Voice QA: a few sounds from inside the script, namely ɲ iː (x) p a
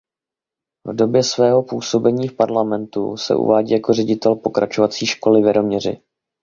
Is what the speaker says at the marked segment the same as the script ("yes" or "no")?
no